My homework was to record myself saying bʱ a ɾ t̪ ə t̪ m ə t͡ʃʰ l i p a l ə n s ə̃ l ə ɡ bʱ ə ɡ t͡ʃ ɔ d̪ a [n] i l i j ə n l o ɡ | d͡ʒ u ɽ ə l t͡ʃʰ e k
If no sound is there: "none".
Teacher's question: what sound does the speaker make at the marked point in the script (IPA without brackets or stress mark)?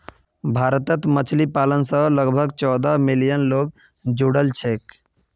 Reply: m